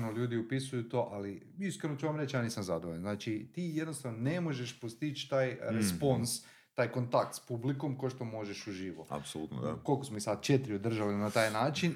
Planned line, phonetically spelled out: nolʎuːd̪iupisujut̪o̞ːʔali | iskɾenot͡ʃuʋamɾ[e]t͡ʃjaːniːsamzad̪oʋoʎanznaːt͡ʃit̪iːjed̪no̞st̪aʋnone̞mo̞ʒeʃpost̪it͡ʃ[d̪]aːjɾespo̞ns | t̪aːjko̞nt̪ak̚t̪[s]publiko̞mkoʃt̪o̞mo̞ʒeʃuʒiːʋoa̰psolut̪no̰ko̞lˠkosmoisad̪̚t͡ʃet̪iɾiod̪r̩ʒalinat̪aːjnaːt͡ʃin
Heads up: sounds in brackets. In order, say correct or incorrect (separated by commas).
correct, incorrect, correct